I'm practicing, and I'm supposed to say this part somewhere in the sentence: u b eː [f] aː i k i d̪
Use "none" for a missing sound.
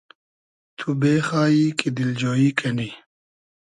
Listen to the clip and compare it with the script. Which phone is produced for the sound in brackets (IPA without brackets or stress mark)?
x